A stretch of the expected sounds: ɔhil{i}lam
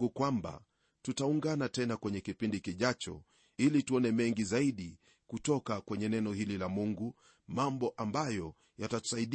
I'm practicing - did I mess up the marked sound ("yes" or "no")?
no